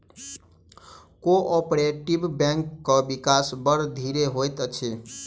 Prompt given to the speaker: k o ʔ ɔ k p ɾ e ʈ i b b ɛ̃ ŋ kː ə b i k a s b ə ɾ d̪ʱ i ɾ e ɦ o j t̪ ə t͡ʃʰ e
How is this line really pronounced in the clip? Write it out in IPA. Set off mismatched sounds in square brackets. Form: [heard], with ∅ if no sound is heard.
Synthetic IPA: k o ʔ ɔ [∅] p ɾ e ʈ i b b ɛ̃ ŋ kː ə b i k a s b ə ɾ d̪ʱ i ɾ e ɦ o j t̪ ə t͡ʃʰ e